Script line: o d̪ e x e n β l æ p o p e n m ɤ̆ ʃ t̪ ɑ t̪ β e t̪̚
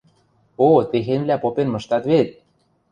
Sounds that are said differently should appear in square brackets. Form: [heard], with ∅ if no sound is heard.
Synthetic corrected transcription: o [t̪] e x e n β l æ p o p e n m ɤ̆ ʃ t̪ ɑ t̪ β e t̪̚